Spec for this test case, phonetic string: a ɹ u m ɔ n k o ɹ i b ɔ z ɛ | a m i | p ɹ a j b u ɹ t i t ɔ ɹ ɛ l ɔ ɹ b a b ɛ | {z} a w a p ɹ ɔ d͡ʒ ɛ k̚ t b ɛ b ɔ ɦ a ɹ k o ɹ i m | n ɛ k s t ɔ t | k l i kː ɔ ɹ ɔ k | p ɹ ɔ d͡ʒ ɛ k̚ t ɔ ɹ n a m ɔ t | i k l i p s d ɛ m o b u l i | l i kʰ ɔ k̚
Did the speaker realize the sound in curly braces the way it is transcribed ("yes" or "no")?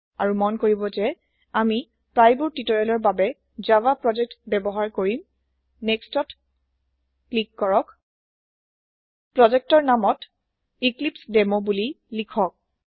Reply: yes